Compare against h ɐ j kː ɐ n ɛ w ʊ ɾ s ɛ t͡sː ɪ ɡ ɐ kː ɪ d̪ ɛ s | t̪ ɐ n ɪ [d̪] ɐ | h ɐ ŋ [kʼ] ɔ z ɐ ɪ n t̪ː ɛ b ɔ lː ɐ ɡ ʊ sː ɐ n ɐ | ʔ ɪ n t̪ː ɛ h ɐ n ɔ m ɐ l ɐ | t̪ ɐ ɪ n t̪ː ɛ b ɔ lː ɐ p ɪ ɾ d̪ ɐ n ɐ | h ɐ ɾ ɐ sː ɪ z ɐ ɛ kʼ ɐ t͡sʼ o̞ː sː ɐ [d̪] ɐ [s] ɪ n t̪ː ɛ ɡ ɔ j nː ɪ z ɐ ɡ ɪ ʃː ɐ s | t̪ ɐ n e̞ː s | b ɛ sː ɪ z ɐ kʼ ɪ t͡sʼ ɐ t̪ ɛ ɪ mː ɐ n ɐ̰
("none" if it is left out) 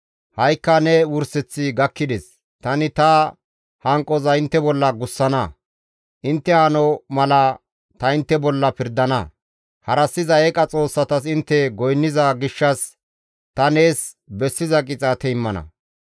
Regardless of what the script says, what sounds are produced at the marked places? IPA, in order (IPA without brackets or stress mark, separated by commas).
t̪, kʼ, t̪, s